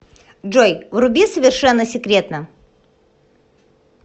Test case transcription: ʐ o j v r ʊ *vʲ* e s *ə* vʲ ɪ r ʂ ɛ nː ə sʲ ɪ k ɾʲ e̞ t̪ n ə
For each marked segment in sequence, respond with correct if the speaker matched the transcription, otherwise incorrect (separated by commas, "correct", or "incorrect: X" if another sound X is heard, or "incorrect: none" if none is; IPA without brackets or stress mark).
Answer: incorrect: bʲ, correct